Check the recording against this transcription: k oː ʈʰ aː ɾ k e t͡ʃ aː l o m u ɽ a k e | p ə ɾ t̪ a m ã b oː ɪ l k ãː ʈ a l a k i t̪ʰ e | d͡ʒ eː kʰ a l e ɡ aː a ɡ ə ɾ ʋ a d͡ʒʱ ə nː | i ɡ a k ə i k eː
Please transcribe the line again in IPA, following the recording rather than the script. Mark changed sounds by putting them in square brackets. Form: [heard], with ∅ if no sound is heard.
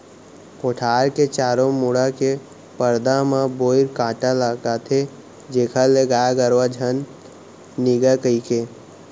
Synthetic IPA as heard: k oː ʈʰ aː ɾ k e t͡ʃ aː [ɾ] o m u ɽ a k e | p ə ɾ [d̪] a m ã b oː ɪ [ɾ] k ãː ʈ a l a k [a] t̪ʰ e | d͡ʒ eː kʰ a l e ɡ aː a ɡ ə ɾ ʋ a d͡ʒʱ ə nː | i ɡ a k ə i k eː